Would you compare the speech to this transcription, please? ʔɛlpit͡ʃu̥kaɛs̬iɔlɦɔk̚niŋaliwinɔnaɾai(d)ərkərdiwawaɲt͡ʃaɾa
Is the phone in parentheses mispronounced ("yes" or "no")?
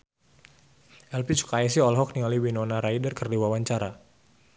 no